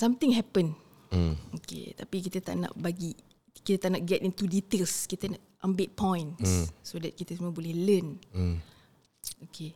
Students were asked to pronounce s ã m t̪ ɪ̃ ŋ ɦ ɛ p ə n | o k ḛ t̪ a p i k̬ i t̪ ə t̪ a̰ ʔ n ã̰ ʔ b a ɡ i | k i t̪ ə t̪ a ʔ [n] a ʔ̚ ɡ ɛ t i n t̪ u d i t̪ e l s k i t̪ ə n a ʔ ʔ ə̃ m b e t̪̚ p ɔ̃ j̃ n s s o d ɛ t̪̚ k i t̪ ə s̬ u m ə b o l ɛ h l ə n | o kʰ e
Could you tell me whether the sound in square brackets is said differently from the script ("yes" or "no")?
no